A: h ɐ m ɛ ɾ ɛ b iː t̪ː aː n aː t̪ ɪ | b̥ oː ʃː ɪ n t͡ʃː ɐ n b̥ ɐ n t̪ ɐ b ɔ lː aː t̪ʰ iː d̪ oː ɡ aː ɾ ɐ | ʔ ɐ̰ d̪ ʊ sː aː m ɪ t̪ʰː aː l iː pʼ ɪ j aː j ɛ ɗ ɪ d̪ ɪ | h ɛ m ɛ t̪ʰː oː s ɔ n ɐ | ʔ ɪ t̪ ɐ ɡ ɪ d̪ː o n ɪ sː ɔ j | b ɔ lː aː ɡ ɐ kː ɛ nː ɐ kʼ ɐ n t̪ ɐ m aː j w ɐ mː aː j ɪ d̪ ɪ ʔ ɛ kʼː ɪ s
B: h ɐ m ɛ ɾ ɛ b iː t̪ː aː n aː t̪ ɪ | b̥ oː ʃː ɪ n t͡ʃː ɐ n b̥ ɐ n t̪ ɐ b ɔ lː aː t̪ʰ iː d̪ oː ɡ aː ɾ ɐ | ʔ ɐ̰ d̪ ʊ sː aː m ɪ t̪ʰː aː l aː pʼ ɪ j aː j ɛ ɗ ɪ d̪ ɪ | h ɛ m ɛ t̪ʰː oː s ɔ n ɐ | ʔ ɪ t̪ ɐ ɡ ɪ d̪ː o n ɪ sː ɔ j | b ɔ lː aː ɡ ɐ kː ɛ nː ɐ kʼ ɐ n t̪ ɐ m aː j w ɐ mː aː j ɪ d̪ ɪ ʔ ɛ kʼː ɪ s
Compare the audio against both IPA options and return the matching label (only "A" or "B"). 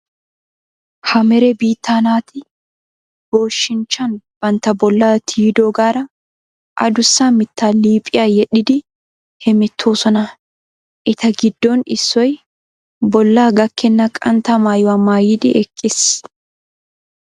A